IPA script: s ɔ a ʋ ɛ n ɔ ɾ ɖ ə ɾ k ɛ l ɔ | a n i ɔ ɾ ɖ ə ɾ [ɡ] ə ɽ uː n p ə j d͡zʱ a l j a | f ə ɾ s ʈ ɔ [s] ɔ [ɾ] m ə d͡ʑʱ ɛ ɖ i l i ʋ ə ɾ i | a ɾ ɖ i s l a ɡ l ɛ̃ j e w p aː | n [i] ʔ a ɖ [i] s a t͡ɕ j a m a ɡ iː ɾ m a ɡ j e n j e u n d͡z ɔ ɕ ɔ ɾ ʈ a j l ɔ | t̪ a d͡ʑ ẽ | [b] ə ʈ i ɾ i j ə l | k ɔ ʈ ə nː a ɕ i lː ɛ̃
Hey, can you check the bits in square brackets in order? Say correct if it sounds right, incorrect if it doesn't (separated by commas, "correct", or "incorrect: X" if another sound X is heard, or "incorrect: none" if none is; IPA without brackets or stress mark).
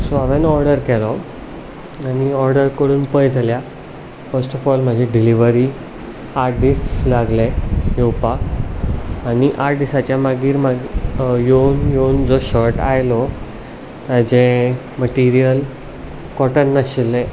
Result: incorrect: k, incorrect: f, incorrect: l, correct, correct, incorrect: m